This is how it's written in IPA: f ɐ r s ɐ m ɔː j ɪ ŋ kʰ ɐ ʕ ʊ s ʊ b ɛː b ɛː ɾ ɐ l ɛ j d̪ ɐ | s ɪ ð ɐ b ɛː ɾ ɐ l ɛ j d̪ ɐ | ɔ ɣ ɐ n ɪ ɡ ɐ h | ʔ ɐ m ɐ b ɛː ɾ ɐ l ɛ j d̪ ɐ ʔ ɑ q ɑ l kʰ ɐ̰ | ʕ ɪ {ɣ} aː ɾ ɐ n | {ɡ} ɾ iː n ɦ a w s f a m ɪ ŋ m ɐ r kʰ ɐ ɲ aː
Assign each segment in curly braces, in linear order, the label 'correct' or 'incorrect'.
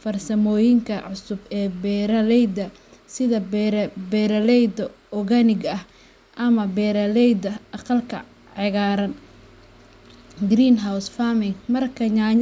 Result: correct, correct

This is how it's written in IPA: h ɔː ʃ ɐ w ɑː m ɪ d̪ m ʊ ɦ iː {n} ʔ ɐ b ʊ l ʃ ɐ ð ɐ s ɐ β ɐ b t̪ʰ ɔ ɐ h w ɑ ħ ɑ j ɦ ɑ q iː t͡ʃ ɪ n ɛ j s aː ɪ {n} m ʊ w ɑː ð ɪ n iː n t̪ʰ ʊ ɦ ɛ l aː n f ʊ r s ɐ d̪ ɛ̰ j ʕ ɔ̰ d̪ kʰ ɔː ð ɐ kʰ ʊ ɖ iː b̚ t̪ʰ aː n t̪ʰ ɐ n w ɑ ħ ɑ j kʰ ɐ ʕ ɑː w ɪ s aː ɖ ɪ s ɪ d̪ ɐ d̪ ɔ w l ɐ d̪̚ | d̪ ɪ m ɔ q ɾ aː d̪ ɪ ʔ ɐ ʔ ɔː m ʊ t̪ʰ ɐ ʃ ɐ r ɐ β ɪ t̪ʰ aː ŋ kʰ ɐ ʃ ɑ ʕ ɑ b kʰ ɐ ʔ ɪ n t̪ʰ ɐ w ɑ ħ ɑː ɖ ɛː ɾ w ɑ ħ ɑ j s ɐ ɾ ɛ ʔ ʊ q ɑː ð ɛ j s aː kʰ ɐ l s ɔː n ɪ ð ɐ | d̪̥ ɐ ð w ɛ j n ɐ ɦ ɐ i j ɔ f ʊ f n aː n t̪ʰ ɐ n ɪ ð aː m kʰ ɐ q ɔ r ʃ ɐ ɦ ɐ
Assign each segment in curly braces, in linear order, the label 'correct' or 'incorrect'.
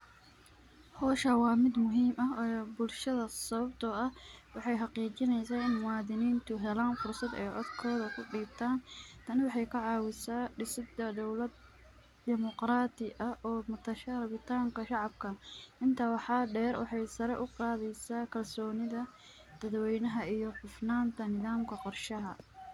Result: incorrect: m, correct

